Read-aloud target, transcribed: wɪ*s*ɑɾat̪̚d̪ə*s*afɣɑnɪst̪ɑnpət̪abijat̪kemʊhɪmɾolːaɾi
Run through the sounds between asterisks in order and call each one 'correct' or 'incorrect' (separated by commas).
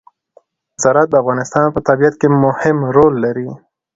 incorrect, incorrect